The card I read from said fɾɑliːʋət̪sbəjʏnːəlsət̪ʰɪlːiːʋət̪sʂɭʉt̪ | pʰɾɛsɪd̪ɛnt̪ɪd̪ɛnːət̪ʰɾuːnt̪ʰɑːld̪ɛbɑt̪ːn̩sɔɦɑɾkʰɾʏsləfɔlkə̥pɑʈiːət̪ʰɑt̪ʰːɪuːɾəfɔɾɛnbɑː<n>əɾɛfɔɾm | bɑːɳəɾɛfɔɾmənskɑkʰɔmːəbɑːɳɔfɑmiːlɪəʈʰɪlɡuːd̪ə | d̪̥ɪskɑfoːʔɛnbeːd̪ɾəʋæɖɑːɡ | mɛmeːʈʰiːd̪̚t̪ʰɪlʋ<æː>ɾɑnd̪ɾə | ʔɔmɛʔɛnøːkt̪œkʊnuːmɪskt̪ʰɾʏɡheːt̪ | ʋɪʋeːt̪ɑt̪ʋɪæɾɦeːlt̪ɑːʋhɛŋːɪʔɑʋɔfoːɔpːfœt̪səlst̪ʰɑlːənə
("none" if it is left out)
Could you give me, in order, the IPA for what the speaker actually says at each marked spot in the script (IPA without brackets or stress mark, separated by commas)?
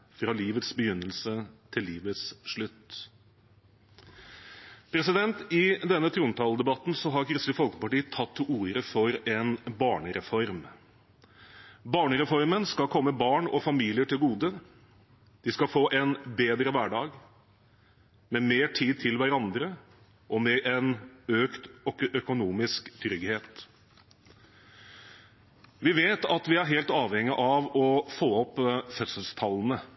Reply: ɳ, æ